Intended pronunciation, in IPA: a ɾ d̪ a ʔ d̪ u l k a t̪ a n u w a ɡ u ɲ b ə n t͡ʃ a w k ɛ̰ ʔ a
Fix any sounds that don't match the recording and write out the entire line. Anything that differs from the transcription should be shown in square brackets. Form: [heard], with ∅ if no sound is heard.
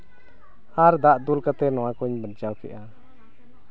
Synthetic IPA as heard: a ɾ d̪ a ʔ d̪ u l k a t̪ [ɛ] n [ɔ] w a [k] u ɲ b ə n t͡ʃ a w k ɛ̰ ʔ a